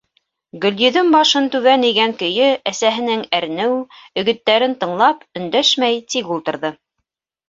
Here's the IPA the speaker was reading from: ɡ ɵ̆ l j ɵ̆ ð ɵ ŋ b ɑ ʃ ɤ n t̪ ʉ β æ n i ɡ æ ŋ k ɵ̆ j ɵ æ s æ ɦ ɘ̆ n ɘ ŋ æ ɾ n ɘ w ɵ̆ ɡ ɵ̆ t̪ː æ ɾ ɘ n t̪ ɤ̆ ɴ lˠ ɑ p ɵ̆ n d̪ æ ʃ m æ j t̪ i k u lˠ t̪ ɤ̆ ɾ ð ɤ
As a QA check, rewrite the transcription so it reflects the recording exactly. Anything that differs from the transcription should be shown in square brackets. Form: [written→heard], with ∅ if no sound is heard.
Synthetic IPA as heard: ɡ ɵ̆ l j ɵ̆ ð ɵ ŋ b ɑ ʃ ɤ n t̪ ʉ β æ n i ɡ æ ŋ k ɵ̆ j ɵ æ s æ ɦ ɘ̆ n ɘ ŋ æ ɾ n ɘ w ɵ̆ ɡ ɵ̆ t̪ː æ ɾ ɘ n t̪ ɤ̆ ɴ lˠ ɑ p ɵ̆ n d̪ æ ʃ m æ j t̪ i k u lˠ t̪ ɤ̆ ɾ ð ɤ

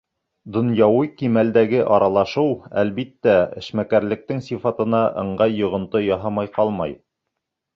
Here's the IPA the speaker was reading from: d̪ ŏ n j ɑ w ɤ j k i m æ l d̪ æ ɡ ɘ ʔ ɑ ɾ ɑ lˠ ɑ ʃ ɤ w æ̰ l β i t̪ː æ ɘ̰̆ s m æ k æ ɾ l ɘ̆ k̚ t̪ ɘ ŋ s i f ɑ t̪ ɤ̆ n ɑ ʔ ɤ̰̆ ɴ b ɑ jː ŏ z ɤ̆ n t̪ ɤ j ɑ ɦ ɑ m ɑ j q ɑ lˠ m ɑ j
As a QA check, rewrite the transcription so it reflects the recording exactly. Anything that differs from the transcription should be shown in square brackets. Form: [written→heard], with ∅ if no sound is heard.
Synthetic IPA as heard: d̪ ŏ n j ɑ w ɤ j k i m æ l d̪ æ ɡ ɘ ʔ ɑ ɾ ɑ lˠ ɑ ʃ ɤ w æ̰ l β i t̪ː æ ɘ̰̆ [s→ʃ] m æ k æ ɾ l ɘ̆ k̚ t̪ ɘ ŋ s i f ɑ t̪ ɤ̆ n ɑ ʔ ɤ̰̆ ɴ [b→ɢ] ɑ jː ŏ [z→ʁ] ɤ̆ n t̪ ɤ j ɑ ɦ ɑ m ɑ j q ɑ lˠ m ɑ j

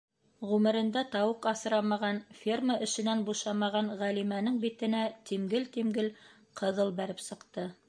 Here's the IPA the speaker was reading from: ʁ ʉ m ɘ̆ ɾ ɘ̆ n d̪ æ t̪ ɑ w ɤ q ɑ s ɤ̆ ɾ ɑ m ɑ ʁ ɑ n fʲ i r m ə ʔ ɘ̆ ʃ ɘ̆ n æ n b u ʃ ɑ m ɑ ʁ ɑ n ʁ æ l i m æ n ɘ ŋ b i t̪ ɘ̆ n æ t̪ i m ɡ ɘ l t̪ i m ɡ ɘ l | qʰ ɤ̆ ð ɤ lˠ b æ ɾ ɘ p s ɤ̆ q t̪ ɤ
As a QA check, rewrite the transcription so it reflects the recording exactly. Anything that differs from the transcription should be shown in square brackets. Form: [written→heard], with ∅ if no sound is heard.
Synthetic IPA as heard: ʁ ʉ m ɘ̆ ɾ ɘ̆ n d̪ æ t̪ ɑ w ɤ q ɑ s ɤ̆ ɾ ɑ m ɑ ʁ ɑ n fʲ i r m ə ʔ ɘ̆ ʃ ɘ̆ n æ n b u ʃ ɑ m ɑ ʁ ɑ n ʁ æ l i m æ n ɘ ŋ b i t̪ ɘ̆ n æ t̪ i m ɡ ɘ l t̪ i m ɡ ɘ l | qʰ ɤ̆ ð ɤ lˠ b æ ɾ ɘ p s ɤ̆ q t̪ ɤ

